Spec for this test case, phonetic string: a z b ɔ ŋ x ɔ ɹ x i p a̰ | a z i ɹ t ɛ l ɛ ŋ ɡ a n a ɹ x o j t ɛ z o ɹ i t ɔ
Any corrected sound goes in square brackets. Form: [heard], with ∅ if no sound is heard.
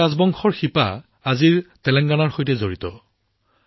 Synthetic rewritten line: a z b ɔ ŋ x ɔ ɹ x i p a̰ | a z i ɹ t ɛ l ɛ ŋ ɡ a n a ɹ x o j t ɛ z o ɹ i t ɔ